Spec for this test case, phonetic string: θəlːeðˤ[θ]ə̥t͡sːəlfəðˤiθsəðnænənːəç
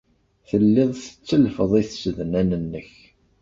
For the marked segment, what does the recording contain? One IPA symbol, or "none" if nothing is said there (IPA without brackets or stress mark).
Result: θ